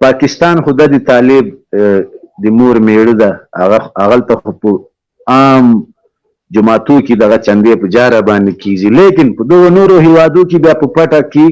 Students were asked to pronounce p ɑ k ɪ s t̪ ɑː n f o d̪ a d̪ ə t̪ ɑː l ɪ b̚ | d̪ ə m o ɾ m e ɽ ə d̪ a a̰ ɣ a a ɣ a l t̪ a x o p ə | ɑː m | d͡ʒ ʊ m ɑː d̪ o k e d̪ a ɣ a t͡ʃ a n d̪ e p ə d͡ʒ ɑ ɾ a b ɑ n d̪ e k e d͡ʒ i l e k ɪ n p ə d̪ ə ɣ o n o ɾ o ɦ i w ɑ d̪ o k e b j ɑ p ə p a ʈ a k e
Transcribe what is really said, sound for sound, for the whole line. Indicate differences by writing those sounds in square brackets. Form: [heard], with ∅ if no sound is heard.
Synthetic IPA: p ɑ k ɪ s t̪ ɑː n [x] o d̪ a d̪ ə t̪ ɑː l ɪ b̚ | d̪ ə m o ɾ m e ɽ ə d̪ a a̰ ɣ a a ɣ a l t̪ a x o p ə | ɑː m | d͡ʒ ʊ m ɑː [t̪] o k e d̪ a ɣ a t͡ʃ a n d̪ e p ə d͡ʒ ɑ ɾ a b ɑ n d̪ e k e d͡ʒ i l e k ɪ n p ə d̪ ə ɣ o n o ɾ o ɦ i w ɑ d̪ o k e b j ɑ p ə p a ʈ a k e